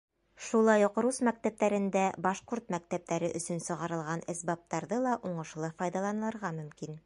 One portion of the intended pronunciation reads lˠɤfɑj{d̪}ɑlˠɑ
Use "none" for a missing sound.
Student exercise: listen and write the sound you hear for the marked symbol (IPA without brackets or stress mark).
d̪